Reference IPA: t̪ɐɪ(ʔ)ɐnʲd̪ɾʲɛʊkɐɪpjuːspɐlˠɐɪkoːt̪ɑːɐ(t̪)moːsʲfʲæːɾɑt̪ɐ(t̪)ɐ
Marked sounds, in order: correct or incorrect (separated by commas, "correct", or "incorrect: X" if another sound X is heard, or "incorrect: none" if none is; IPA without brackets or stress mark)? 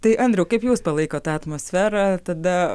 correct, correct, incorrect: d̪